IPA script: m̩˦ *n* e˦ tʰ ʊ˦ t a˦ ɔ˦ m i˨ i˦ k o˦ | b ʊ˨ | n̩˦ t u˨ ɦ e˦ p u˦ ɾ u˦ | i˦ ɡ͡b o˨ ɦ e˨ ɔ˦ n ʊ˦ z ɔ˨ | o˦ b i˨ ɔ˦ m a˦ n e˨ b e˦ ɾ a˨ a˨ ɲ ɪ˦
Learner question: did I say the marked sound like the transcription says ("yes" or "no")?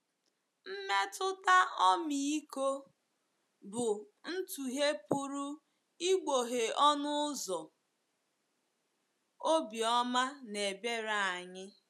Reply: no